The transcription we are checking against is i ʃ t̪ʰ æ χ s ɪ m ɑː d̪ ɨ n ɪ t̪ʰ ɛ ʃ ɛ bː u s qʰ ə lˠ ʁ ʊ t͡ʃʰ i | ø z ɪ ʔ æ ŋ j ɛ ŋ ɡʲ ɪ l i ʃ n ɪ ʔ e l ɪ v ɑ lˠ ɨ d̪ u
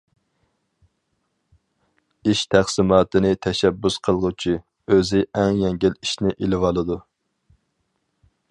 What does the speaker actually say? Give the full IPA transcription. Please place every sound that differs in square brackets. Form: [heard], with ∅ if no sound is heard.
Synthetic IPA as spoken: i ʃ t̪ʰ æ χ s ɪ m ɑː [t̪] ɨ n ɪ t̪ʰ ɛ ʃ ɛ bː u s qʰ ə lˠ ʁ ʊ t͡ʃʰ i | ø z ɪ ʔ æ ŋ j ɛ ŋ ɡʲ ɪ l i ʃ n ɪ ʔ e l ɪ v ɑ lˠ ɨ d̪ u